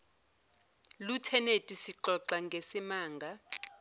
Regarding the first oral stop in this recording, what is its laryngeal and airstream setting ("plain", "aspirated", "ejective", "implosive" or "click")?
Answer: aspirated